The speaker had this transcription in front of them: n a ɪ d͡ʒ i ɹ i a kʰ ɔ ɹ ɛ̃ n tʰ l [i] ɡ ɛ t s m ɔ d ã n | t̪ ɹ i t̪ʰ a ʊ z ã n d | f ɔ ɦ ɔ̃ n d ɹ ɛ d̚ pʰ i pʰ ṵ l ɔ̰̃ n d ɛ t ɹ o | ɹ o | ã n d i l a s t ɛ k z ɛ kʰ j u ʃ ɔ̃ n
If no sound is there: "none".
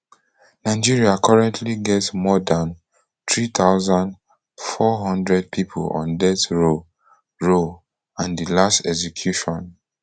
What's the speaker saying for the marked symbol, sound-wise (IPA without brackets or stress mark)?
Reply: i